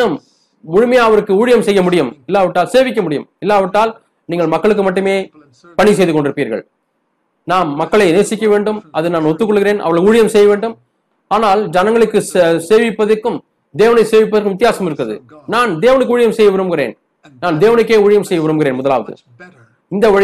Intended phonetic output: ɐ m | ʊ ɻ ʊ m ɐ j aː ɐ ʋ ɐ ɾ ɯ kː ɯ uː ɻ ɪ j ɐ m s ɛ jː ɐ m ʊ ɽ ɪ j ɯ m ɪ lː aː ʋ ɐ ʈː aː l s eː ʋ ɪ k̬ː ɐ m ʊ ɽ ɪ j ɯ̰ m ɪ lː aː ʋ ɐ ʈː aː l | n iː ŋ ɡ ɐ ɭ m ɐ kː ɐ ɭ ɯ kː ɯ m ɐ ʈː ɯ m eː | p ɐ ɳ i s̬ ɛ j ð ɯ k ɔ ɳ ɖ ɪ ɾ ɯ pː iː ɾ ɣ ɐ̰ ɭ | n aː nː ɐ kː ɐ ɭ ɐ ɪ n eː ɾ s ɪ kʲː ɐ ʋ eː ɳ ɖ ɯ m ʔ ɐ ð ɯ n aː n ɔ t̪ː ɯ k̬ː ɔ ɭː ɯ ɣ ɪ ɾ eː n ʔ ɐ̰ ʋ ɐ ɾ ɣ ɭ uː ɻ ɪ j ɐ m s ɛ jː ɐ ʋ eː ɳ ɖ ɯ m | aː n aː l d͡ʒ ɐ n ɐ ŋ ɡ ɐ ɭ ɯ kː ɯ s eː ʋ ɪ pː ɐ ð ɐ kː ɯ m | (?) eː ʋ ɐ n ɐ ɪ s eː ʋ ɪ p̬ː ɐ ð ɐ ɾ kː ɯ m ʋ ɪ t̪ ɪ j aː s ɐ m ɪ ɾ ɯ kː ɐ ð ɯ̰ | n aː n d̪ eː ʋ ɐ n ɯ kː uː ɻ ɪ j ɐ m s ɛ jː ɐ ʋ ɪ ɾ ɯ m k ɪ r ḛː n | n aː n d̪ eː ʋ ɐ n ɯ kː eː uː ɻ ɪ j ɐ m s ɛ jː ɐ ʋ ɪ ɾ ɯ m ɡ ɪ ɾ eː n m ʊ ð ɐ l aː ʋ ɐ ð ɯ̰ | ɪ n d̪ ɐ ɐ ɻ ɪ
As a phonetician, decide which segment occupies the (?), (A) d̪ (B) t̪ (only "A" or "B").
A